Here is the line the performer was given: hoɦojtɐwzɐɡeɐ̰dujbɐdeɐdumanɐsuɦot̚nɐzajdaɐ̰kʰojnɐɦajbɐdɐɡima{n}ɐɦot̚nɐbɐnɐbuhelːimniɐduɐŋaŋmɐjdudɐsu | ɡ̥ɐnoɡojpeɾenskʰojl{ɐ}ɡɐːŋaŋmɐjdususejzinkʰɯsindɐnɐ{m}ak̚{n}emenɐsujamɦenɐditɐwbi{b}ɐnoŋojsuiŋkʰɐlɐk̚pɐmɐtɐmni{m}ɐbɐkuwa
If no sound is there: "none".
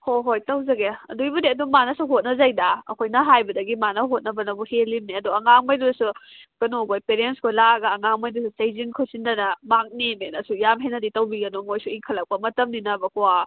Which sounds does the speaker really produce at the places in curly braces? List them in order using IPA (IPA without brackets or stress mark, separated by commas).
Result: n, a, m, n, ɡ, n